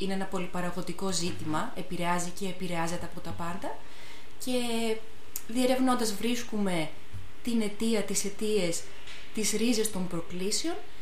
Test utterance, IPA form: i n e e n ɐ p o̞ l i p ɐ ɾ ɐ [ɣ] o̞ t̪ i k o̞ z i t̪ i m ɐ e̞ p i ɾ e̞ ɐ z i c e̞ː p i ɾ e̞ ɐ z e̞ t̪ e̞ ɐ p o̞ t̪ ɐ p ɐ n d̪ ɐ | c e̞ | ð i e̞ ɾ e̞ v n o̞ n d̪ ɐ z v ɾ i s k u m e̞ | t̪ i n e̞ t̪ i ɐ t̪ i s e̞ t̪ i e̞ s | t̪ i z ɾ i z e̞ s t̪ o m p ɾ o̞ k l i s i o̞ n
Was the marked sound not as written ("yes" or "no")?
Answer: no